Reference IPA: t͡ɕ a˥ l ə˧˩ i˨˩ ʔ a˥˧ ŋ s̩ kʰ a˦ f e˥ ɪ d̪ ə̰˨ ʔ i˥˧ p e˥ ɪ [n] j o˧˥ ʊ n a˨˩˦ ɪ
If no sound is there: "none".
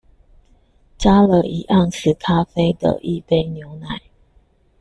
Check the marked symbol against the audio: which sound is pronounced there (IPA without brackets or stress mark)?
n